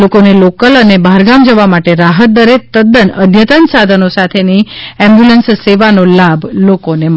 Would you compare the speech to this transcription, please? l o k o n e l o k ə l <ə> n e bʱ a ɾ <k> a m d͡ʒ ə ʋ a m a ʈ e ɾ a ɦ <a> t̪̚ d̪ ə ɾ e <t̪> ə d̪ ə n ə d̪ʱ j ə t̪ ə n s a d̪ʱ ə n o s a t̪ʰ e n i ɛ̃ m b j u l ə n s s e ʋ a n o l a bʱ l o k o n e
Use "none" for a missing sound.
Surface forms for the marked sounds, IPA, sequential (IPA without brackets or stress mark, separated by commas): ə, ɡ, ə, t̪